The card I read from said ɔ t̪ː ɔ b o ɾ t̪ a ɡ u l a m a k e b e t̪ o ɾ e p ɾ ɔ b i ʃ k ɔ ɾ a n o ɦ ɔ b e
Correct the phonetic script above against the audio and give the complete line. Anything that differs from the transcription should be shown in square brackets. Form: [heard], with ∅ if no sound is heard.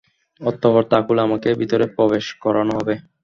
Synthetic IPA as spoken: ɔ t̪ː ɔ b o ɾ t̪ a [k] u l a m a k e b [i] t̪ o ɾ e p ɾ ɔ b [e] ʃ k ɔ ɾ a n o ɦ ɔ b e